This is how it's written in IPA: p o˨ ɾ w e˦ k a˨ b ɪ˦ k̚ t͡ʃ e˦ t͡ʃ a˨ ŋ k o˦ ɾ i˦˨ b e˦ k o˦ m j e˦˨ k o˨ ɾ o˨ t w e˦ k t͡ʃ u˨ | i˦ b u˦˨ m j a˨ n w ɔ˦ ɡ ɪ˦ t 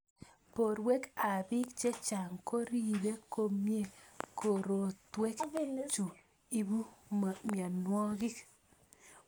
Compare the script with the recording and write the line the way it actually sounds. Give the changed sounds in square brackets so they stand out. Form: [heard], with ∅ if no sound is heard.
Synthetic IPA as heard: p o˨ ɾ w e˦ k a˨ b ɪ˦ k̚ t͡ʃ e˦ t͡ʃ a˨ ŋ k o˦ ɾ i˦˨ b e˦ k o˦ m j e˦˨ k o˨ ɾ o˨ t w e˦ k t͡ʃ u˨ | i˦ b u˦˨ m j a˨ n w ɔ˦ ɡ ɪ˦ [k]